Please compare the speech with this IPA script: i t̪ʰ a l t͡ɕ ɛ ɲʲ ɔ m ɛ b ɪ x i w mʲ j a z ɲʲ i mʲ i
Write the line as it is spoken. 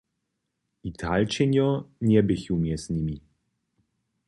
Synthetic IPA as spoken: i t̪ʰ a l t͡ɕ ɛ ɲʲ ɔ ɲ ɛ b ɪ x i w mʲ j ɛ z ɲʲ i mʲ i

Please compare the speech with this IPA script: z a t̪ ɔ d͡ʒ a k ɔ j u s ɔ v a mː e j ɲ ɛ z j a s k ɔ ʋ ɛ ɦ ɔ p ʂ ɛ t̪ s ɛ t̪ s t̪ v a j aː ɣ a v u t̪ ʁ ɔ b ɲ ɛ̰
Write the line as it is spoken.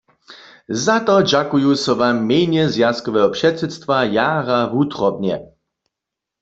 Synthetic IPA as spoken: z a t̪ ɔ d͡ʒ a k u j u s ɔ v a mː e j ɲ ɛ z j a s k ɔ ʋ ɛ ɦ ɔ p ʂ ɛ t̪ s ɛ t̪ s t̪ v a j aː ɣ a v u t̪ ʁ ɔ b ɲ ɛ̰

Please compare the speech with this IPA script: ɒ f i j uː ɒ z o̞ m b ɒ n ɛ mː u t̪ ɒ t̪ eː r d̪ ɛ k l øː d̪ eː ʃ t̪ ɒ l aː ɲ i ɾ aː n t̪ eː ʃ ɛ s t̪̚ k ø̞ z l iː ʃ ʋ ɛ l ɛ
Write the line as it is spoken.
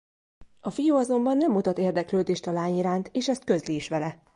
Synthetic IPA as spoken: ɒ f i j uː ɒ z o̞ m b ɒ nː ɛ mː u t̪ ɒ t̪ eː r d̪ ɛ k l øː d̪ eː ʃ t̪ ɒ l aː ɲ i ɾ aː n t̪ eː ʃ ɛ s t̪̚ k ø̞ z l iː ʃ ʋ ɛ l ɛ

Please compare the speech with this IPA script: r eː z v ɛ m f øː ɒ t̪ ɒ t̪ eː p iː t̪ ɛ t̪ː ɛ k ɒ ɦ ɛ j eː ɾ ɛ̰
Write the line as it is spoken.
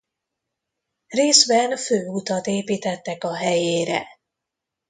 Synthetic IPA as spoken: r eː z b ɛ n f øː u t̪ ɒ t̪ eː p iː t̪ ɛ t̪ː ɛ k ɒ ɦ ɛ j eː ɾ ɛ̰

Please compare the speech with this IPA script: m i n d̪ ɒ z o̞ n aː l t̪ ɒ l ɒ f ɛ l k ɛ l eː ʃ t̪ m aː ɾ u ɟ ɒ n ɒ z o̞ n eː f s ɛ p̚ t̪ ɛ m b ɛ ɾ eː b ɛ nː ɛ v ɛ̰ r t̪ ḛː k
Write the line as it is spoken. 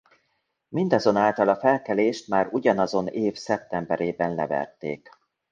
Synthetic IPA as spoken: m i n d̪ ɒ z o̞ n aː l t̪ ɒ l ɒ f ɛ l k ɛ l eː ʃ t̪ m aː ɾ u ɟ ɒ n ɒ z o̞ n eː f s ɛ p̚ t̪ ɛ m b ɛ ɾ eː b ɛ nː ɛ v ɛ̰ r t̪ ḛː k

